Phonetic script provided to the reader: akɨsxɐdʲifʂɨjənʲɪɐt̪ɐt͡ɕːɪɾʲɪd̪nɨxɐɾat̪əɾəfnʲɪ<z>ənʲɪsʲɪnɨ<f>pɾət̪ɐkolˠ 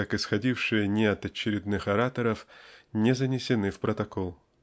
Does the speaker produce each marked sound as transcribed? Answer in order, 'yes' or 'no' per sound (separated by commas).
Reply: yes, yes